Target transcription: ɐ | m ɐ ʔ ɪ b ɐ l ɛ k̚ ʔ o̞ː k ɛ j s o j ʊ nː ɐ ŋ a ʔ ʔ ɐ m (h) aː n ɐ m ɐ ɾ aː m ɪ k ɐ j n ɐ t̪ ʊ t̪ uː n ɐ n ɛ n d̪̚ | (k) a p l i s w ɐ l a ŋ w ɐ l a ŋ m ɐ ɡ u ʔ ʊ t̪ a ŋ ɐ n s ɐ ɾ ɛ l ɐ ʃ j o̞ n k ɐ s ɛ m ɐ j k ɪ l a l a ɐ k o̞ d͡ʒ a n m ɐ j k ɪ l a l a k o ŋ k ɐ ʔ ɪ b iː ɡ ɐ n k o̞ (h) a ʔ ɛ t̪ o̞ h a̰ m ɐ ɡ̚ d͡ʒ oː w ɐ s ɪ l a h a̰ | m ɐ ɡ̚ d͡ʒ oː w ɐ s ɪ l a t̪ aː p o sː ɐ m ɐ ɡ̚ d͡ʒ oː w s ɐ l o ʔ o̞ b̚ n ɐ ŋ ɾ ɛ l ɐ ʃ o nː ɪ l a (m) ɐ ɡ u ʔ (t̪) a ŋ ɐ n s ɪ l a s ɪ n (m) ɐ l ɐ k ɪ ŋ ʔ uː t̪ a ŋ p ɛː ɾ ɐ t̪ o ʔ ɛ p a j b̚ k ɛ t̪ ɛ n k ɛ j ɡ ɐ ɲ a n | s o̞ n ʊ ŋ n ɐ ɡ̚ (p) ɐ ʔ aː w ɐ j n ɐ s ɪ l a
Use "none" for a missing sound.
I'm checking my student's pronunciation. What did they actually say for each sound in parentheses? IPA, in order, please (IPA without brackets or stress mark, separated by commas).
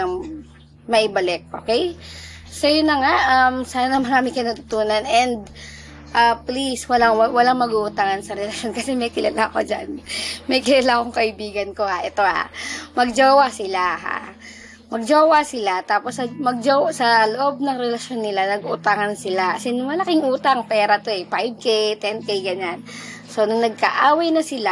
s, ʔ, h, n, t̪, m, k